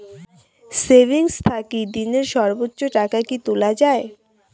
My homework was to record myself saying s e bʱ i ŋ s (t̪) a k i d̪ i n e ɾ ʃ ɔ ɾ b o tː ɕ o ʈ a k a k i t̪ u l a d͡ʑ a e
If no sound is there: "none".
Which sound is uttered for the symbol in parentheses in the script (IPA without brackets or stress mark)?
t̪ʰ